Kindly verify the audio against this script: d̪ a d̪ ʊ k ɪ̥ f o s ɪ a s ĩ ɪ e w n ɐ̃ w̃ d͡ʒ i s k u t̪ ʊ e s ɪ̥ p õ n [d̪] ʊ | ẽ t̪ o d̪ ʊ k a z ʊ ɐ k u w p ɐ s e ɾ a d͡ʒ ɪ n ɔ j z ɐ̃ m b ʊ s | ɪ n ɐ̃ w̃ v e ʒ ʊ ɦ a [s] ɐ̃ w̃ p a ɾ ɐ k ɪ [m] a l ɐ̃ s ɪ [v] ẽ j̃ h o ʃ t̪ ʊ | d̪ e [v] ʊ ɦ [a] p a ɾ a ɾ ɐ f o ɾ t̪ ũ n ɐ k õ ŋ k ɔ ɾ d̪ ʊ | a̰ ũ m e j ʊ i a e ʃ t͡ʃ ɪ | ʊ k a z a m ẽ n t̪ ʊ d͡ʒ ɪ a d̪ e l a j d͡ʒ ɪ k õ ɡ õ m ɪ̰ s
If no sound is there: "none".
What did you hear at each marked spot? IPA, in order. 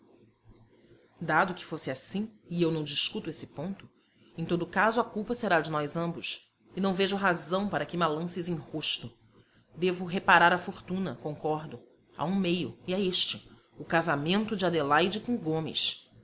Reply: t̪, z, m, z, v, e

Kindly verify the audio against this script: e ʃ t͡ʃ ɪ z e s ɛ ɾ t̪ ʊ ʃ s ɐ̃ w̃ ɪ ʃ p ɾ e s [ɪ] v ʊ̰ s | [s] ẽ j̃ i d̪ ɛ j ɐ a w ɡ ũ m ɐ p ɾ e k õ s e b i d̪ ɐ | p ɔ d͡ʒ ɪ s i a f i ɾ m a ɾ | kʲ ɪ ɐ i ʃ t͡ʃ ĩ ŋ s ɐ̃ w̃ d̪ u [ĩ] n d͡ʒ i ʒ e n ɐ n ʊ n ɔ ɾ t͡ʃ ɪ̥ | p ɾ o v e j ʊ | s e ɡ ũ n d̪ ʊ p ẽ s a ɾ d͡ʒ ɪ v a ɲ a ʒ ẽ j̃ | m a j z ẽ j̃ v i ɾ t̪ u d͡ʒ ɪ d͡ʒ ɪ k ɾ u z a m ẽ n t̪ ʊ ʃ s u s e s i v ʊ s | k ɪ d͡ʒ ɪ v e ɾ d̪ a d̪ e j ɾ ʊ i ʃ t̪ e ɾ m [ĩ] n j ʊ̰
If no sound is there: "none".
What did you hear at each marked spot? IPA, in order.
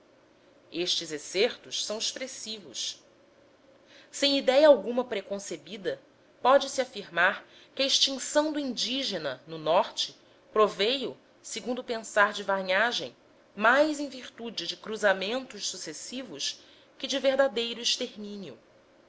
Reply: i, s, ĩ, ĩ

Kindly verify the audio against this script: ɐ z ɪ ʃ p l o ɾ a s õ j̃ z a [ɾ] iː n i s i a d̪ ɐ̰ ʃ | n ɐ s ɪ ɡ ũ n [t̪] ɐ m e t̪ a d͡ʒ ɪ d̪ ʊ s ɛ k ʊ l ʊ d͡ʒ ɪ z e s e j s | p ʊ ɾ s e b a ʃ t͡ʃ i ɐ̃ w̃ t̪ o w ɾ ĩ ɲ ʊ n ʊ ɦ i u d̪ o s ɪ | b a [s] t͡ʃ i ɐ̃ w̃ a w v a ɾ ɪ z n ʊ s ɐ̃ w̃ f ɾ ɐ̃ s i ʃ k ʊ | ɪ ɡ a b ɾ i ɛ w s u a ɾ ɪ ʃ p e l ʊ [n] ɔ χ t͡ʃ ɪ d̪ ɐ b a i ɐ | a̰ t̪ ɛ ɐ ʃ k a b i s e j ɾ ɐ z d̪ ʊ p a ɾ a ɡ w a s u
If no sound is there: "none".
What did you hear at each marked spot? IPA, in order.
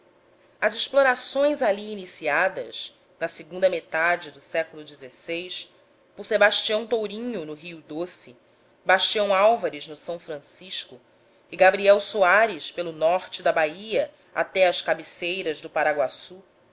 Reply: l, d̪, ʃ, n

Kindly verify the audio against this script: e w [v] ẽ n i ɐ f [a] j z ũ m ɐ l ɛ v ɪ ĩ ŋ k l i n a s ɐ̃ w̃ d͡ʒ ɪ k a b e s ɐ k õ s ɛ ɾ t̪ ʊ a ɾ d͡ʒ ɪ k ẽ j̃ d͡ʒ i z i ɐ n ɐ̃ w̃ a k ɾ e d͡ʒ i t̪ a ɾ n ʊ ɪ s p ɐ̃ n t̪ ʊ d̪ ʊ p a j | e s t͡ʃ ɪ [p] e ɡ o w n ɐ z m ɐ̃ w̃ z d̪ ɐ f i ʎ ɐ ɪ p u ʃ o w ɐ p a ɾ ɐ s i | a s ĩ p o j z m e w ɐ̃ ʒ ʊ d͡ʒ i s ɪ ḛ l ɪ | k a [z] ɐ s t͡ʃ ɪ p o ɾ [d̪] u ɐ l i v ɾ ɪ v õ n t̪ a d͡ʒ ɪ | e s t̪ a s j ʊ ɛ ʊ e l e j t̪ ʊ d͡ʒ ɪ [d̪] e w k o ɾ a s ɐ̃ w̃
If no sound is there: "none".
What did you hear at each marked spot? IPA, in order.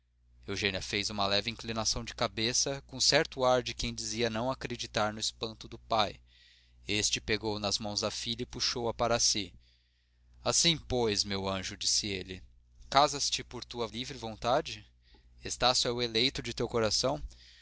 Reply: ʒ, e, p, z, t̪, t̪

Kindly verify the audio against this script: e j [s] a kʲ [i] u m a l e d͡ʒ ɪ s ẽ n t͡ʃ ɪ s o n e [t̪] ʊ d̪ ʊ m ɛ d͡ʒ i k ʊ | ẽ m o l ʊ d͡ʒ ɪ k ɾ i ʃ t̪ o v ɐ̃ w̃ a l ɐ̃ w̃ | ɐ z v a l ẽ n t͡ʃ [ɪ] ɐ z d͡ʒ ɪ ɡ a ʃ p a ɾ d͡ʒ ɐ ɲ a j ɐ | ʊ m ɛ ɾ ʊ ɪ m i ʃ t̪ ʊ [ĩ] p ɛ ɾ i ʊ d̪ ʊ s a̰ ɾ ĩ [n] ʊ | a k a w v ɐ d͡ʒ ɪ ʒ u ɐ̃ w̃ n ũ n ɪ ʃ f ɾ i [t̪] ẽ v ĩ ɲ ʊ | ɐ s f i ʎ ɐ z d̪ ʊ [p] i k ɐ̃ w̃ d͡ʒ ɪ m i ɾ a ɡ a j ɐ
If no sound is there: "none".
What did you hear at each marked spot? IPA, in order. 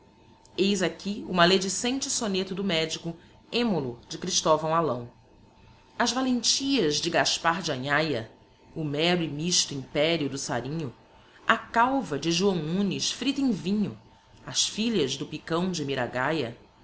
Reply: z, i, t̪, i, ĩ, ɲ, t̪, p

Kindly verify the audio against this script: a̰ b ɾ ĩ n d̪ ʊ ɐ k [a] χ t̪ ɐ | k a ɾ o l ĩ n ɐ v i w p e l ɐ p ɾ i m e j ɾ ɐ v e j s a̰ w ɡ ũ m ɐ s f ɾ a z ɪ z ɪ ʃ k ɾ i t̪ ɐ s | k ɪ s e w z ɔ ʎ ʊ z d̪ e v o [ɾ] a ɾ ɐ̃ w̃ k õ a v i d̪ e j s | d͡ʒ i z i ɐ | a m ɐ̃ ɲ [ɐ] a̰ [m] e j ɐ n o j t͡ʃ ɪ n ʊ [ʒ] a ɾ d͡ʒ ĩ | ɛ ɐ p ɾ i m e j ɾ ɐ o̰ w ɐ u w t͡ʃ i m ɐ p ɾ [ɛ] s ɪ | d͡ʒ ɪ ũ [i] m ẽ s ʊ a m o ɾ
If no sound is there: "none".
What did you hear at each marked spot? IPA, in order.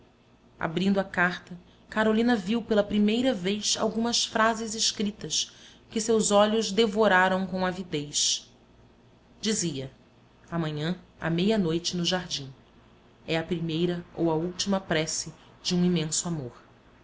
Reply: a, ɾ, ɐ̃, m, ʒ, ɛ, i

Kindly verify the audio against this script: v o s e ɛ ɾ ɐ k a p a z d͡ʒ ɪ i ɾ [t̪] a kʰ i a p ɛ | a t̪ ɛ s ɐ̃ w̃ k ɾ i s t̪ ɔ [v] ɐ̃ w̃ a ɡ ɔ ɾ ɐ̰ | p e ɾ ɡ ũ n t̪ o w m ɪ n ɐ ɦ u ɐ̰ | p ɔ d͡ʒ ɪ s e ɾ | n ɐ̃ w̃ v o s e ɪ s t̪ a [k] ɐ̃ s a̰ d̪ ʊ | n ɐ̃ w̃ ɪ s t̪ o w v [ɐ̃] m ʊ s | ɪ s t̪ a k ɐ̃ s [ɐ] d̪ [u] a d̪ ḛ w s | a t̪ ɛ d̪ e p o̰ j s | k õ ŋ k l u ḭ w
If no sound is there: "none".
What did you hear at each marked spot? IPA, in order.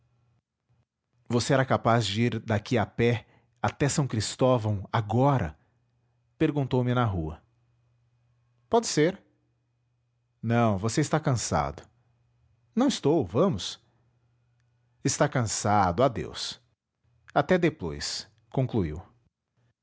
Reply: d̪, v, k, ɐ̃, a, ʊ

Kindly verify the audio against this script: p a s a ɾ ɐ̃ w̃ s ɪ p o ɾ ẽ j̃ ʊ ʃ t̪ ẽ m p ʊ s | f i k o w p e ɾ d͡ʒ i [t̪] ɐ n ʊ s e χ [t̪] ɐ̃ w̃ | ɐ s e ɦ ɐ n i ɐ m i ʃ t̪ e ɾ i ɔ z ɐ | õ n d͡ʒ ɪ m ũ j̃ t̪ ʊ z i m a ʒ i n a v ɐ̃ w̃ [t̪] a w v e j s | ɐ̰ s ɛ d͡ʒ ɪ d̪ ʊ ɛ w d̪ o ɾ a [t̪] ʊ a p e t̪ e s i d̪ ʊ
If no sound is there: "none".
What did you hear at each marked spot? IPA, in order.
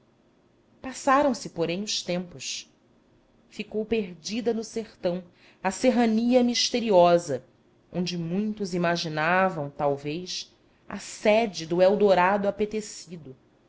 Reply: d̪, t̪, t̪, d̪

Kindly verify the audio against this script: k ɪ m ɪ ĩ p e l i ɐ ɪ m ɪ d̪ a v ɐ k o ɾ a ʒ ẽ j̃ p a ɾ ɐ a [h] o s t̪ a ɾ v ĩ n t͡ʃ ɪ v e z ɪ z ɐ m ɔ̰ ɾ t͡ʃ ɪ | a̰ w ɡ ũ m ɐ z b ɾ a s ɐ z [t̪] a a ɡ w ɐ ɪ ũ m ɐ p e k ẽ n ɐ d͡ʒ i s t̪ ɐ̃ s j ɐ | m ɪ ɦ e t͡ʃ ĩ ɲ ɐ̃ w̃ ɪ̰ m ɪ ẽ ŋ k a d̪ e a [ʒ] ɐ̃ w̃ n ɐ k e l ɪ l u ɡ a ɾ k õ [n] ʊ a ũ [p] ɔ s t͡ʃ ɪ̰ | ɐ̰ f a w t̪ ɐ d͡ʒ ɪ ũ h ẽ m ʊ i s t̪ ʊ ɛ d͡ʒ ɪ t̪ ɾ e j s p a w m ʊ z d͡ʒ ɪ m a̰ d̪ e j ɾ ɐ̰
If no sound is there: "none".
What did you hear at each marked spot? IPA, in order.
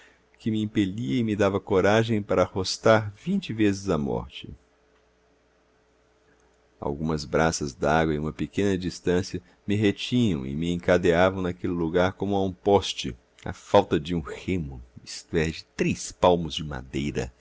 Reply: h, d̪, v, m, p

